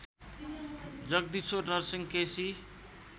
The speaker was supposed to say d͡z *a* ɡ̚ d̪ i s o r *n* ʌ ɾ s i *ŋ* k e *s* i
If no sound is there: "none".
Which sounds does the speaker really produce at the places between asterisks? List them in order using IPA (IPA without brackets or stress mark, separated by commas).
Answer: ʌ, n, ŋ, s